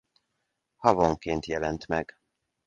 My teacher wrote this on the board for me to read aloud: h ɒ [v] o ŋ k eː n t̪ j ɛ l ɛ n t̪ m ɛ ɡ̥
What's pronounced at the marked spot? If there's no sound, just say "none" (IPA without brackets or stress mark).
v